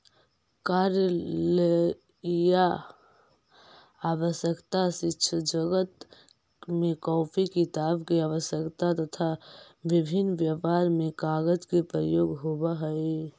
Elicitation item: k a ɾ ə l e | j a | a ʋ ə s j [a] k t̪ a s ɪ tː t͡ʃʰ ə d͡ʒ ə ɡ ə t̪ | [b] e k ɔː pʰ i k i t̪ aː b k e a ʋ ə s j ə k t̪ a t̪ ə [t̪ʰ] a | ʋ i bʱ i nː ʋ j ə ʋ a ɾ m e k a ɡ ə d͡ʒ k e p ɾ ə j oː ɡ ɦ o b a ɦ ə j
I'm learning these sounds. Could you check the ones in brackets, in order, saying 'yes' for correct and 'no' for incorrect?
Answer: no, no, yes

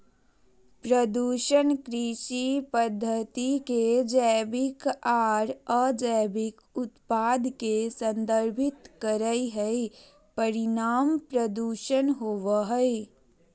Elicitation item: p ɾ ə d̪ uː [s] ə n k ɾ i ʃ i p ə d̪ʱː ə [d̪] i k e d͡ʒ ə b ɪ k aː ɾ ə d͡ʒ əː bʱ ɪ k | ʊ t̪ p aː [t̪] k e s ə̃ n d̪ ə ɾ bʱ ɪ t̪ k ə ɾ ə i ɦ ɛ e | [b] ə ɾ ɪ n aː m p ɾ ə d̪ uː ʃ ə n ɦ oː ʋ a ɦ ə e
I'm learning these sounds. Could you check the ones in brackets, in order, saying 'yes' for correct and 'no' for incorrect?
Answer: no, no, no, no

